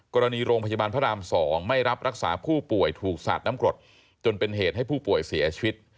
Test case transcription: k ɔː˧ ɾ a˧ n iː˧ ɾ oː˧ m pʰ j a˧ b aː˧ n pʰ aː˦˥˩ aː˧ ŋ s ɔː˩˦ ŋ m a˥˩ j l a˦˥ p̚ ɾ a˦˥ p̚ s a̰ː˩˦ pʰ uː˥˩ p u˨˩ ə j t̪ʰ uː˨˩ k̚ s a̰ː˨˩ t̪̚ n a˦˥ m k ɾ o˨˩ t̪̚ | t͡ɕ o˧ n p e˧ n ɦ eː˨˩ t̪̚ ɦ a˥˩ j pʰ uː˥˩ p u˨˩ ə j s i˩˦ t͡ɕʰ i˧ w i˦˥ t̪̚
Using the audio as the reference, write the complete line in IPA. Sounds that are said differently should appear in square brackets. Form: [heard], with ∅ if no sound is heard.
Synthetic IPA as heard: k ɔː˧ ɾ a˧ n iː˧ ɾ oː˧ [ŋ] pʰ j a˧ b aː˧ n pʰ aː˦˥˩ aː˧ [m] s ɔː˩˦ ŋ m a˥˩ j [ɾ] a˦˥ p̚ ɾ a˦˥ [k̚] s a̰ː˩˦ pʰ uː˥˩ p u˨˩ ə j t̪ʰ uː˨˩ k̚ s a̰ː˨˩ t̪̚ n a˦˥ m k ɾ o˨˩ t̪̚ | t͡ɕ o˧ n p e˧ n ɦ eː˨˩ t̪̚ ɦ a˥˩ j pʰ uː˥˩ p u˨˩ ə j s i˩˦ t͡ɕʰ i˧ w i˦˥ t̪̚